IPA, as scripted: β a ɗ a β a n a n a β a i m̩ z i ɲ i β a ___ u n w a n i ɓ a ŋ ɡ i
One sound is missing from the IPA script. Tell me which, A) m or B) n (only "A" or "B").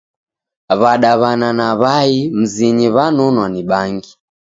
B